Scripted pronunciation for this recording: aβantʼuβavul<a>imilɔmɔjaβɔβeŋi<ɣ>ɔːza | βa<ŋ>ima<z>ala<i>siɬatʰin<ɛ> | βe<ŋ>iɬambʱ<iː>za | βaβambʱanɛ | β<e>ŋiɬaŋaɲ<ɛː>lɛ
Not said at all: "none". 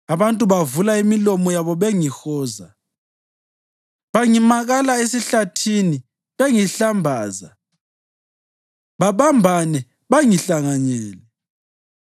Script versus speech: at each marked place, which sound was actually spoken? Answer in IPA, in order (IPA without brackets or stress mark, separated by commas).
a, x, ŋ, ɣ, e, i, ŋ, aː, a, ɛː